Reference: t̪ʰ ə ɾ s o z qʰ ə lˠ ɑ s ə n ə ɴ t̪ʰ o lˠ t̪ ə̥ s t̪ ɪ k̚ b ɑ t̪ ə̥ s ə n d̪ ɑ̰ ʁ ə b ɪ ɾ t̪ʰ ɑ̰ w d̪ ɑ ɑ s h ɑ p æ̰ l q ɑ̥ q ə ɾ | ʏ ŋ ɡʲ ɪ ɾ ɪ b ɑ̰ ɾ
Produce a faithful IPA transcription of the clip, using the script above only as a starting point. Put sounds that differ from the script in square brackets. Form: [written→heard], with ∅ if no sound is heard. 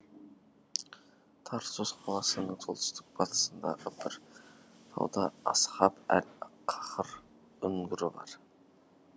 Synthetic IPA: t̪ʰ [ə→ɑ] ɾ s o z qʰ [ə→ɑ] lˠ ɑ s ə n ə ɴ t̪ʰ o lˠ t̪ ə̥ s t̪ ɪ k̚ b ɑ t̪ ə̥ s ə n d̪ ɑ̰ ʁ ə b ɪ ɾ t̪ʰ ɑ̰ w d̪ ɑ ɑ s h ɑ p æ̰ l [q→qʰ] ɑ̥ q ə ɾ | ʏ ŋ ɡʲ ɪ ɾ ɪ b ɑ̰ ɾ